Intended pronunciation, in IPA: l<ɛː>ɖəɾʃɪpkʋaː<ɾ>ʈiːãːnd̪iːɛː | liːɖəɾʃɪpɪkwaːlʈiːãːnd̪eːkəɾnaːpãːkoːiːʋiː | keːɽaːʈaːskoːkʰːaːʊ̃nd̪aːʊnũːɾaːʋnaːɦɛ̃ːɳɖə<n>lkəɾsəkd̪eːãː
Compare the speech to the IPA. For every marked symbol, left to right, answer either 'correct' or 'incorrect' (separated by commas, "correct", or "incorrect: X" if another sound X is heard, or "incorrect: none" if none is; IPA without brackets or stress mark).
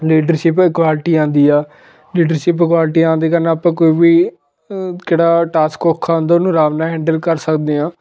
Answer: incorrect: iː, incorrect: l, incorrect: none